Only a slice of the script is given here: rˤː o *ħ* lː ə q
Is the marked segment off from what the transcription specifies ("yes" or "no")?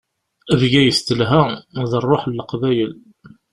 no